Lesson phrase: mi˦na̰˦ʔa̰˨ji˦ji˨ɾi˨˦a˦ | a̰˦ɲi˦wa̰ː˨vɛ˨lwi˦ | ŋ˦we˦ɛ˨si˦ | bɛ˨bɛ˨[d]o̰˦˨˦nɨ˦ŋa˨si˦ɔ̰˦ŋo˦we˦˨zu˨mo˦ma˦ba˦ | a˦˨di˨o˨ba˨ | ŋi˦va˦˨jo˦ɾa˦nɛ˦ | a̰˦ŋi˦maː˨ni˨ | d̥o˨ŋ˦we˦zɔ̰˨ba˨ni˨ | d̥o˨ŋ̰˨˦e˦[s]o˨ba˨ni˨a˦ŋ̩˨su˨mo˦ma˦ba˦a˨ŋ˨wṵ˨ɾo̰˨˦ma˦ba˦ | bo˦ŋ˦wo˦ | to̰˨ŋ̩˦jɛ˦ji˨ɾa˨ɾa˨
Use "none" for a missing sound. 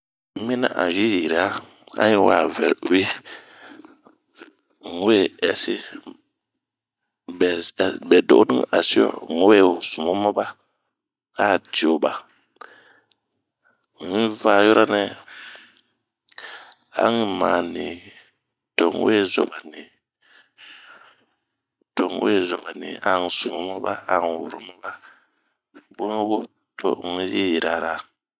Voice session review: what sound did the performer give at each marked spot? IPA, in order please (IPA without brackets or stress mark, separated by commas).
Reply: d, z